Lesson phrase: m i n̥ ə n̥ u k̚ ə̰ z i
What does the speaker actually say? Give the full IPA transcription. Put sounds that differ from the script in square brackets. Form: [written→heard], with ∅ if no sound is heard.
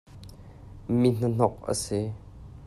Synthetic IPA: m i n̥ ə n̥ [u→ɔ] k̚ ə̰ [z→s] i